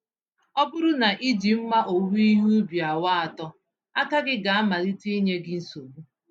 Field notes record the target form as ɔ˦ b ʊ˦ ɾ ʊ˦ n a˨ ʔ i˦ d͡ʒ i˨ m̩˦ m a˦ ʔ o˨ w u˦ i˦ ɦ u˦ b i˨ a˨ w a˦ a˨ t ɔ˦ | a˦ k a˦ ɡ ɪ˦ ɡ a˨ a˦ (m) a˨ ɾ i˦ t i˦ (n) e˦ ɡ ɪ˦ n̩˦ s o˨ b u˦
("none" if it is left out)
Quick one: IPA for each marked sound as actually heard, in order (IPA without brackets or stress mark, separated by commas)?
m, ɲ